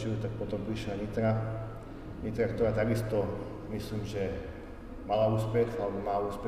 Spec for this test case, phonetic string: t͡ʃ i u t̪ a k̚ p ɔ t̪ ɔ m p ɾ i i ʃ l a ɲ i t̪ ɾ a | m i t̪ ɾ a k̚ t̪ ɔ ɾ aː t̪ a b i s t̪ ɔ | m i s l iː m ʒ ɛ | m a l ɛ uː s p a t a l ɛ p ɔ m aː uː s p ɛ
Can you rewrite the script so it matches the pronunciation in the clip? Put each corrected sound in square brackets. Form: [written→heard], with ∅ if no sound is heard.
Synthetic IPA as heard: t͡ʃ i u t̪ a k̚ p ɔ t̪ ɔ m p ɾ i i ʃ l a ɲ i t̪ ɾ a | [m→ɲ] i t̪ ɾ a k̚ t̪ ɔ ɾ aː t̪ a [b→ɡ] i s t̪ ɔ | m i s l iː m ʒ ɛ | m a l [ɛ→a] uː s p [a→ɛ] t a l ɛ [p→b] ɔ m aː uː s p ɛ